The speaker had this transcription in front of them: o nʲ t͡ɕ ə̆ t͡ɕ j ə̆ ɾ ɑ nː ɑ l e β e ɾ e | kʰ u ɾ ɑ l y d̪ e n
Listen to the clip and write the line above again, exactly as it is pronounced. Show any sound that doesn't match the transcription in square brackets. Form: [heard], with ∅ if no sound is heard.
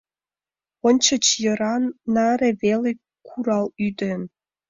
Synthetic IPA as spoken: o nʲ t͡ɕ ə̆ t͡ɕ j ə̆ ɾ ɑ nː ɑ [ɾ] e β e [l] e | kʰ u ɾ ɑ l y d̪ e n